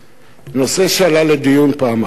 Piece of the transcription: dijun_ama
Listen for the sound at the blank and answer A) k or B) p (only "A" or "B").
B